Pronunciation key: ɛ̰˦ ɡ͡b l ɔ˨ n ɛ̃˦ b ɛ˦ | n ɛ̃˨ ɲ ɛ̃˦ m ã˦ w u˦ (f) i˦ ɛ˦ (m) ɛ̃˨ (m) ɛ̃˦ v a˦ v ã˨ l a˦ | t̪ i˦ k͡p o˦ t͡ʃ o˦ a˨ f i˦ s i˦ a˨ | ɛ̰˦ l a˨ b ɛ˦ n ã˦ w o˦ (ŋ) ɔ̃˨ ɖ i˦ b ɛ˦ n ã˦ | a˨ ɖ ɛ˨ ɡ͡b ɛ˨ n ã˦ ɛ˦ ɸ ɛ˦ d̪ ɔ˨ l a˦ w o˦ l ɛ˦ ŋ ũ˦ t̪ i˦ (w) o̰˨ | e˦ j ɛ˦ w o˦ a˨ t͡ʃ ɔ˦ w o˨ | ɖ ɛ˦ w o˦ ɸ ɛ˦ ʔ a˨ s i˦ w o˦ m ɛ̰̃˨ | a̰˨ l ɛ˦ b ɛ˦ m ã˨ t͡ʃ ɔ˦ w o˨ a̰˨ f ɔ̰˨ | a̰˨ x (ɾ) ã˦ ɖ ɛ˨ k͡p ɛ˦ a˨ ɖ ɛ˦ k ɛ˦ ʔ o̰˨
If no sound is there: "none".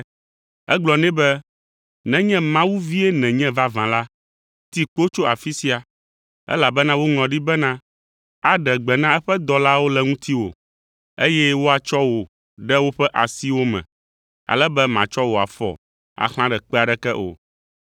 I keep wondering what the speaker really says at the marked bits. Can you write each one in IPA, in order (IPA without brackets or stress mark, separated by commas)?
v, n, ɲ, ŋ, w, l